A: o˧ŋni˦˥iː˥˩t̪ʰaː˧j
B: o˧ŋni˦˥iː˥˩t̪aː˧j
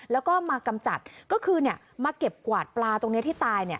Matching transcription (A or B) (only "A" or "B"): B